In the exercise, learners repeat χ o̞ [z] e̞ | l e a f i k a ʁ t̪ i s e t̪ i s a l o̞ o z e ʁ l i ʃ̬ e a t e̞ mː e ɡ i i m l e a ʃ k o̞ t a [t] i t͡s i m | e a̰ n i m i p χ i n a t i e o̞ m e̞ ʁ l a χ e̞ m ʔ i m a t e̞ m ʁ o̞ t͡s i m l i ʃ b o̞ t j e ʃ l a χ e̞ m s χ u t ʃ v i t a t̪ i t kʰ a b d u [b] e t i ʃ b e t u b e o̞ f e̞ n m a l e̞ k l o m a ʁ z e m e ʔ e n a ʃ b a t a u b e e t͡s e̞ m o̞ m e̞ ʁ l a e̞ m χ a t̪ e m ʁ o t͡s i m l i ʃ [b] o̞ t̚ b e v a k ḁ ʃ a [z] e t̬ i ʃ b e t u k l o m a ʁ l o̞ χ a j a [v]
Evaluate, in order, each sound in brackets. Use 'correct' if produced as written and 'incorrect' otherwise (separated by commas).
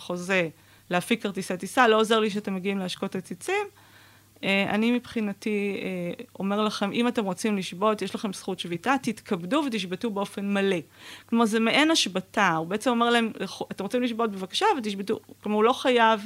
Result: correct, incorrect, incorrect, correct, incorrect, correct